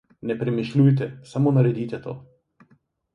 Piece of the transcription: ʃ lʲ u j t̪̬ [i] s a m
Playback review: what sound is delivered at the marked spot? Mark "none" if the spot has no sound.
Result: ɛ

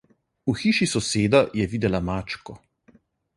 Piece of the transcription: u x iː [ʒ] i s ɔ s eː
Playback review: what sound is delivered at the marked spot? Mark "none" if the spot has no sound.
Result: ʃ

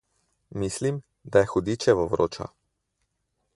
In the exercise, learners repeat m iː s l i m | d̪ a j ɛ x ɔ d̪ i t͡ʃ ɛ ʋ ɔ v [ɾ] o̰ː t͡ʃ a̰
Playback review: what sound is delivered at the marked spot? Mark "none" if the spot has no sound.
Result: ɾ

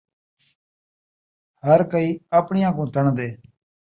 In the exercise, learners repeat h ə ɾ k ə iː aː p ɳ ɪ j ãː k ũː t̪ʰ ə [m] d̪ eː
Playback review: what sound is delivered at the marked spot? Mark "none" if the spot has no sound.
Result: ɳ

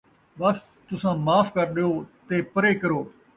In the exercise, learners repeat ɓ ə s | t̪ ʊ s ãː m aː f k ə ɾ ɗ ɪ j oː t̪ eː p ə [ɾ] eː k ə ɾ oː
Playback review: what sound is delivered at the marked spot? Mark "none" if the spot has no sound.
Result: ɾ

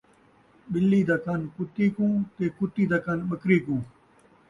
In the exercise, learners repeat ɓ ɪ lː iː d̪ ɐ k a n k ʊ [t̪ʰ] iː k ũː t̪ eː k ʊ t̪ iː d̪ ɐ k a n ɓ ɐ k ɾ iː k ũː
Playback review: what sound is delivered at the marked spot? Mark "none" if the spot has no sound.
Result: t̪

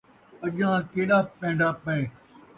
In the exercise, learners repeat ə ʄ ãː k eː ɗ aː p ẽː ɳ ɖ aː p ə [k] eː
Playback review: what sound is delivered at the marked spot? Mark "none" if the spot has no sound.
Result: none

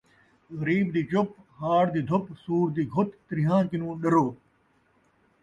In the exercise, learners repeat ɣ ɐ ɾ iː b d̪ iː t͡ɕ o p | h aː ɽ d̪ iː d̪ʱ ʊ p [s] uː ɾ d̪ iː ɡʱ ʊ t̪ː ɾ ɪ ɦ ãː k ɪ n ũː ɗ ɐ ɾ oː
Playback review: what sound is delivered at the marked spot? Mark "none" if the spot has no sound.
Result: s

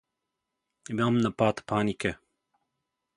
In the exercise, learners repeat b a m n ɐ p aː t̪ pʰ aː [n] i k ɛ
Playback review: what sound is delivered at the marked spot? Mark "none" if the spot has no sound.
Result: n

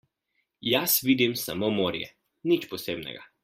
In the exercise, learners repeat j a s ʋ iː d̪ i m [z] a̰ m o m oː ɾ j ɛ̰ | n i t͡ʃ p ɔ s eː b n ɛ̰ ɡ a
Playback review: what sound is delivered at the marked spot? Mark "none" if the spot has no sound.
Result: s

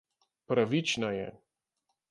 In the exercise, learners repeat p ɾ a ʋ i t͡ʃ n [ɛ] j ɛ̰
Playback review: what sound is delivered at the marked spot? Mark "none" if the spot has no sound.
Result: a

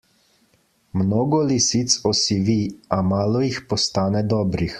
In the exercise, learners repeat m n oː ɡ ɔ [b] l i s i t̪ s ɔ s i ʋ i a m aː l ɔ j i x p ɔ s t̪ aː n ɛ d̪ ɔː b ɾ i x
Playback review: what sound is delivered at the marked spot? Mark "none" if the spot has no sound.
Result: none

